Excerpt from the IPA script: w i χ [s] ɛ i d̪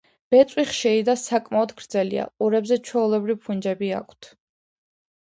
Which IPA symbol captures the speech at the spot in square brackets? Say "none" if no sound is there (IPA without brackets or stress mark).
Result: ʃ